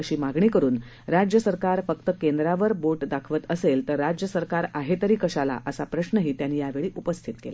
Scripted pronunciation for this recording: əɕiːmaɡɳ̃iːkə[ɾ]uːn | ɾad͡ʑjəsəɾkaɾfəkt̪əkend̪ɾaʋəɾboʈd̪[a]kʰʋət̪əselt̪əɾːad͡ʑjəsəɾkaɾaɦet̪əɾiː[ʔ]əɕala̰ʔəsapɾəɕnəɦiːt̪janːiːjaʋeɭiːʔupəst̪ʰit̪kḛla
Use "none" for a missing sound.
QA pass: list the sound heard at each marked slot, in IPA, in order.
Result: ɾ, a, k

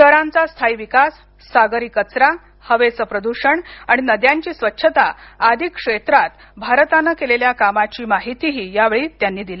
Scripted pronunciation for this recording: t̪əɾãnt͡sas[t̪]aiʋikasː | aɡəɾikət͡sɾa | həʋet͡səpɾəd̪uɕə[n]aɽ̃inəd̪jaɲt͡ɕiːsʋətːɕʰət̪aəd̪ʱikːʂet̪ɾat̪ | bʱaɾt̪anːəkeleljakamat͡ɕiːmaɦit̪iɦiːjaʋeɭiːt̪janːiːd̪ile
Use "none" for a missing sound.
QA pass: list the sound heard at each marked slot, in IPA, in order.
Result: t̪ʰ, ɳ

